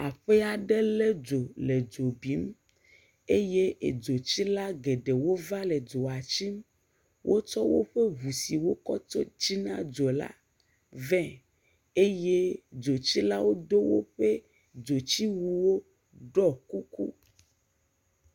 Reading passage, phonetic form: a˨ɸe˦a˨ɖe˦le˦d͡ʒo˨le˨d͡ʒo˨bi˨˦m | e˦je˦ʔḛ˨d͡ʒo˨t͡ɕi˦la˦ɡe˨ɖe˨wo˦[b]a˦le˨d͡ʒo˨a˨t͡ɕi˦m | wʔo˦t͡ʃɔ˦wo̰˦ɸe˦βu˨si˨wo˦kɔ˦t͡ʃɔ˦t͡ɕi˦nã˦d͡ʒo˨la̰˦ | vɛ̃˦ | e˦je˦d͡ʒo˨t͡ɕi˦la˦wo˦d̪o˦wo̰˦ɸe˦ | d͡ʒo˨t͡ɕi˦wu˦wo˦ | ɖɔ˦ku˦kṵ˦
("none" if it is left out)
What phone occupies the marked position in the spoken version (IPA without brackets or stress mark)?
v